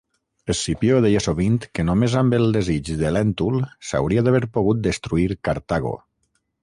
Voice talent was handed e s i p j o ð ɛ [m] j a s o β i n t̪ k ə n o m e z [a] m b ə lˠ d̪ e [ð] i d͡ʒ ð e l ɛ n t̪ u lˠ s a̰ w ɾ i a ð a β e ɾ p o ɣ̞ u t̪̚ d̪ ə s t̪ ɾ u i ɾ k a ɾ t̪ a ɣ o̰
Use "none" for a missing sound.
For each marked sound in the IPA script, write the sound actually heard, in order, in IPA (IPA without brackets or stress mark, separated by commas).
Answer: none, a, z